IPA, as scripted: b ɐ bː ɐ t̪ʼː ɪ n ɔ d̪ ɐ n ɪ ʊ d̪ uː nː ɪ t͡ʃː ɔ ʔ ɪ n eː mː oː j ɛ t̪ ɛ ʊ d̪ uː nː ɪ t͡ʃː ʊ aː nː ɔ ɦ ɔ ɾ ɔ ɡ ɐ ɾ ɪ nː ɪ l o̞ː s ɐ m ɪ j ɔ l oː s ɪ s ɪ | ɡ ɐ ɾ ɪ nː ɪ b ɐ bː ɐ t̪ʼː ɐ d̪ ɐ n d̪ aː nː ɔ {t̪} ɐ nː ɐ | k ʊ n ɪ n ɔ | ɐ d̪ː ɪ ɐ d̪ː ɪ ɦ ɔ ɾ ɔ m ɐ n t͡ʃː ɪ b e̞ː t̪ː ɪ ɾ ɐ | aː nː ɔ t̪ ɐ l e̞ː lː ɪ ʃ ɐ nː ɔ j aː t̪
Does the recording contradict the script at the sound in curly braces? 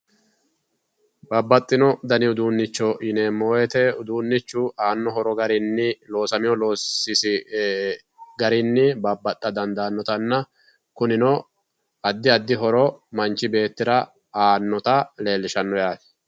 no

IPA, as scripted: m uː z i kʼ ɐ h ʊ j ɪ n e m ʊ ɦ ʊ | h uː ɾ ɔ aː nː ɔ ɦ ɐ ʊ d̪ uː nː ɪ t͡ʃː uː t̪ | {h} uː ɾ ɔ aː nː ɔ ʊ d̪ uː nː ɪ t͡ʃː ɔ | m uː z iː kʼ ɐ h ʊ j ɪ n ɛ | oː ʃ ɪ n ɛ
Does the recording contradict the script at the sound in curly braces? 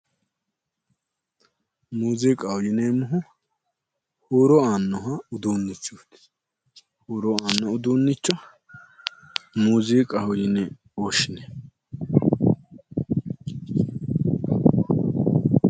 no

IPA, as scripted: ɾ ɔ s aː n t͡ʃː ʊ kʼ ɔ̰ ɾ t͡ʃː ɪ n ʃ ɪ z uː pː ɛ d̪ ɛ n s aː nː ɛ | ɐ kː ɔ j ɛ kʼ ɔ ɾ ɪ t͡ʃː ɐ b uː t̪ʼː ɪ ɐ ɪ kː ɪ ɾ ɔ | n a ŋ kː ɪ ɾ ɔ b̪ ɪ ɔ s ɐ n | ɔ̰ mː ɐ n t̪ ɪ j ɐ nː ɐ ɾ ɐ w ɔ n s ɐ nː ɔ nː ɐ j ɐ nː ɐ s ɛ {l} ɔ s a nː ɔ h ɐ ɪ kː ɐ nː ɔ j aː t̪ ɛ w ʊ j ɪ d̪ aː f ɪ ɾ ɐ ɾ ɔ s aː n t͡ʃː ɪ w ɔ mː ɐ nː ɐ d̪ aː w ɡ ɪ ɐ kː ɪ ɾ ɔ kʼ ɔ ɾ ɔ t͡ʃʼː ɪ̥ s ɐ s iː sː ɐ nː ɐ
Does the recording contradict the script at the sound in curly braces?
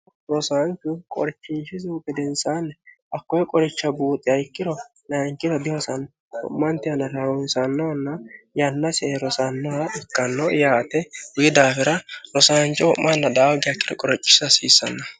yes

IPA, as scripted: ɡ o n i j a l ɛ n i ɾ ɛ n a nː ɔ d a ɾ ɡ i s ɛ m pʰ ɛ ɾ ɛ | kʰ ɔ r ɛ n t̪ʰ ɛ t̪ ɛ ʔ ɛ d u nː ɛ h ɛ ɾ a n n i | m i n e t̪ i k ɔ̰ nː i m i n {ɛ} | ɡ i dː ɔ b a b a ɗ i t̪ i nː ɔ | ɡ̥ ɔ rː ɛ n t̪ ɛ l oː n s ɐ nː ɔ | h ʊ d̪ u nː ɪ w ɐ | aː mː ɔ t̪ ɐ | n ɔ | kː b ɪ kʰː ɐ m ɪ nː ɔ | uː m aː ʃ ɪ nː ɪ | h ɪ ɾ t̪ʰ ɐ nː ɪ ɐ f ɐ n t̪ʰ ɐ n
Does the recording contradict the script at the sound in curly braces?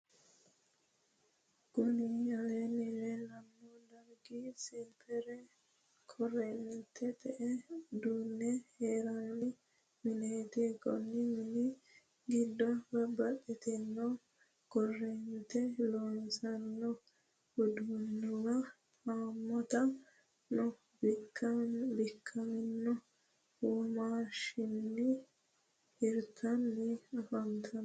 yes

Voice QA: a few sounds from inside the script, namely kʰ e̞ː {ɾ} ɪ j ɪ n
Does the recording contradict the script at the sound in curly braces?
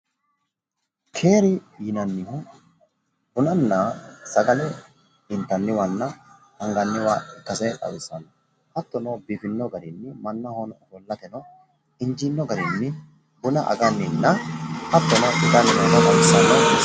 no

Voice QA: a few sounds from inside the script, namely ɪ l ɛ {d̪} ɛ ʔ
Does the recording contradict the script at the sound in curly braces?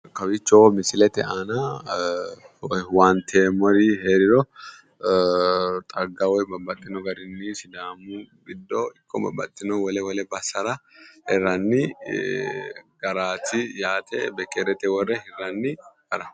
yes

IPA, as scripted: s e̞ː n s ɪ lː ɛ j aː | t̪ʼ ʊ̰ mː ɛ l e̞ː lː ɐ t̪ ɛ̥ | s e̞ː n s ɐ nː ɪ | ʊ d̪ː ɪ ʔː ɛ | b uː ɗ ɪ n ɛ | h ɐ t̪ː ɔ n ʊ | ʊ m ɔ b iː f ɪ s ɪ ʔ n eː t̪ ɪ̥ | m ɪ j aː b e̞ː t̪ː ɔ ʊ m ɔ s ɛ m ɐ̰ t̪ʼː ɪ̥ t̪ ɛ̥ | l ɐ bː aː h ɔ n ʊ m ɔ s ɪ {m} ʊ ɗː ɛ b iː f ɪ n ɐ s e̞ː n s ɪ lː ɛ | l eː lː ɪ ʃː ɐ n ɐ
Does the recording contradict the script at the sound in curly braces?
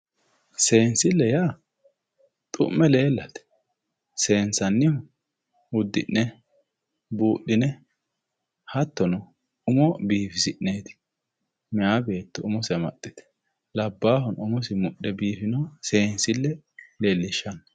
no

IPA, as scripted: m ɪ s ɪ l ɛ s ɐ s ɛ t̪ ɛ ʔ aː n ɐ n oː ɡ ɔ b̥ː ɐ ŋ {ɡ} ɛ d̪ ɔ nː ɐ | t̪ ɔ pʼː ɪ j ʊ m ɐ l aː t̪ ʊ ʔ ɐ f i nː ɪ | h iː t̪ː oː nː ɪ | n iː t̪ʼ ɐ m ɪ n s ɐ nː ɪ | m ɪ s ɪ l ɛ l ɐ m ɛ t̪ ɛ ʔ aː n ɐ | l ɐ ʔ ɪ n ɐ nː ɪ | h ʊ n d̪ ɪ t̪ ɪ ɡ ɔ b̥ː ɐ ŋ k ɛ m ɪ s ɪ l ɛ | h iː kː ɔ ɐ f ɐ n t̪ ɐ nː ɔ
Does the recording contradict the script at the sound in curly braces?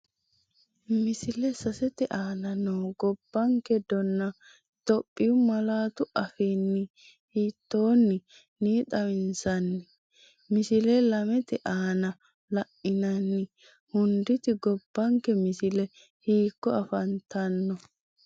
yes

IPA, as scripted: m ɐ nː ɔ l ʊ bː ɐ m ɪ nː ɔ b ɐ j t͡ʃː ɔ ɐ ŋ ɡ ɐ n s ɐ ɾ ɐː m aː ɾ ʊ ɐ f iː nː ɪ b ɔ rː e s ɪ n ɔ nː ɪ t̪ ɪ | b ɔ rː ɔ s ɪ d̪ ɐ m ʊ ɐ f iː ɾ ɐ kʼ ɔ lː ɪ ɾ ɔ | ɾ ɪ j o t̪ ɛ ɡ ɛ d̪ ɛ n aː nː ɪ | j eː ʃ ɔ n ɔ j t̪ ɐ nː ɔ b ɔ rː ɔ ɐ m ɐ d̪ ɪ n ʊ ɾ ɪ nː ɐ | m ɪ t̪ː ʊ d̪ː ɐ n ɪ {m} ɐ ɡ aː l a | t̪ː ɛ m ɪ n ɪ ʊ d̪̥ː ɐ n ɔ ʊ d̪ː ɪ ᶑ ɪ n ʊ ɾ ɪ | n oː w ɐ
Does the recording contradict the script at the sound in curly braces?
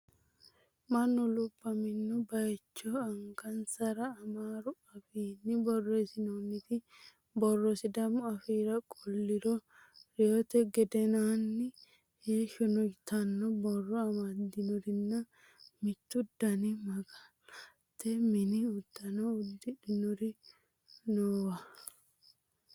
no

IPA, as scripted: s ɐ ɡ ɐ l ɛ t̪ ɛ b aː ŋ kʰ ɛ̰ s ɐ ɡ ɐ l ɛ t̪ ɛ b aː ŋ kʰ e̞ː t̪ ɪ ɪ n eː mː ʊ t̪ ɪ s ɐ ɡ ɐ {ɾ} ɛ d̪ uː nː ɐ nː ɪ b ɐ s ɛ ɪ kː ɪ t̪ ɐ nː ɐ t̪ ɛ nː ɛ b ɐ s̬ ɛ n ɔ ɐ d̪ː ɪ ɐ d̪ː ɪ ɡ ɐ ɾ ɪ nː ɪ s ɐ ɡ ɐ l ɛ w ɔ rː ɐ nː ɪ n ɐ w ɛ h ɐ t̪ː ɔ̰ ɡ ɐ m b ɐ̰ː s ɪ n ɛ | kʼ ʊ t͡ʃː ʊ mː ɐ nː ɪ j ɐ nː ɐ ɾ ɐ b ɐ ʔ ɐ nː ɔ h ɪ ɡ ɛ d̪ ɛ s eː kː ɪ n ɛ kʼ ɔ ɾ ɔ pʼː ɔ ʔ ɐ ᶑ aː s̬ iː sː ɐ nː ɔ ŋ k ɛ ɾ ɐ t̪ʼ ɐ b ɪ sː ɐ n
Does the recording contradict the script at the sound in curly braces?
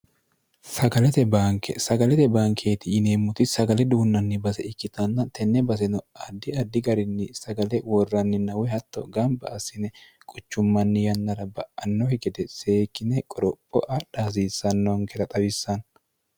yes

